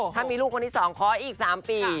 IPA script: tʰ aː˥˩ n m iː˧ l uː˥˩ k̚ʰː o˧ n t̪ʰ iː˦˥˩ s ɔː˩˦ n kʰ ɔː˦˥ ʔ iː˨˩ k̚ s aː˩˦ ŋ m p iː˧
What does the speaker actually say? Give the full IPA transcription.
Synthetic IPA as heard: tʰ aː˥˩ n m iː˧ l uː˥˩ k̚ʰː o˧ n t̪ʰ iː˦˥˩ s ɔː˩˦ ŋ kʰ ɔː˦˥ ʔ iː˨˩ k̚ s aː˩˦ m p iː˧